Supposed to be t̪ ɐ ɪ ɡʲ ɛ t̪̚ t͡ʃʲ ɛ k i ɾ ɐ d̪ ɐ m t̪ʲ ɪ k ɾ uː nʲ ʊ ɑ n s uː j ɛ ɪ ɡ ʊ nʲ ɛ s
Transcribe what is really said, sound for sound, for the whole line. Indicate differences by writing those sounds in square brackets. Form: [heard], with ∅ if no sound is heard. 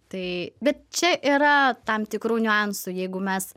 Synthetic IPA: t̪ ɐ ɪ [bʲ] ɛ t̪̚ t͡ʃʲ ɛ [ʔ] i ɾ ɐ [t̪] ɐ m t̪ʲ ɪ k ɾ uː nʲ ʊ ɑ n s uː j ɛ ɪ ɡ ʊ [mʲ] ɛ s